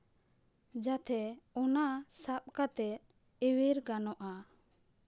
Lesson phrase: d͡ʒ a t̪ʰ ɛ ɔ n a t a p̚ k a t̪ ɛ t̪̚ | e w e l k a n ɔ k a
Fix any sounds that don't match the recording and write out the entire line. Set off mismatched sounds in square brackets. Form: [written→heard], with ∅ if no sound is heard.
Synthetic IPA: d͡ʒ a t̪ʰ ɛ ɔ n a [t→s] a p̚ k a t̪ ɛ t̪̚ | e w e [l→ɾ] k a n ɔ [k→ʔ] a